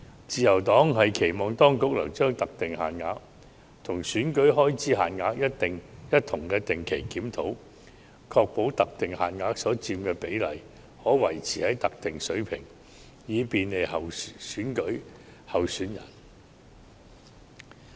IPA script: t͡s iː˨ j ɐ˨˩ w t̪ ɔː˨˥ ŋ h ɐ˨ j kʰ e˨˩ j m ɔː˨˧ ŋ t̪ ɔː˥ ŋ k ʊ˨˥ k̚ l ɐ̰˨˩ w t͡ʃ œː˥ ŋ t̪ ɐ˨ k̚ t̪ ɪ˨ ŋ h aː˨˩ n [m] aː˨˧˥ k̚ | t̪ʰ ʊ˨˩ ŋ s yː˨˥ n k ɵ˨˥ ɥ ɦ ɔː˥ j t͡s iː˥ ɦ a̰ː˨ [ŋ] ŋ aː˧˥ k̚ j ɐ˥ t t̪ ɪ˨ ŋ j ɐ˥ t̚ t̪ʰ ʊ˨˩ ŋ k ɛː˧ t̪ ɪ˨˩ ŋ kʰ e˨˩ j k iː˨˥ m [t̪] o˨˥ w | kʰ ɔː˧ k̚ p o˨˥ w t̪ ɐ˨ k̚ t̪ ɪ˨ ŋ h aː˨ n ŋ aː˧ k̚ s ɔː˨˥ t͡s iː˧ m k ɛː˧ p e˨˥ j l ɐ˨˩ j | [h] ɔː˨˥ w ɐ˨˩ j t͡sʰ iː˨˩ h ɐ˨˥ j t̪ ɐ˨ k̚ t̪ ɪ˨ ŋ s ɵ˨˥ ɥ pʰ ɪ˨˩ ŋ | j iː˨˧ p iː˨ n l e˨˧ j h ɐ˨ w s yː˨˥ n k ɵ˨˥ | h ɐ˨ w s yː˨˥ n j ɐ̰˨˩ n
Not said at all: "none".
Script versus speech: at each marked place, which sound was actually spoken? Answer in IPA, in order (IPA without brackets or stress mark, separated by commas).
ŋ, n, t̪ʰ, h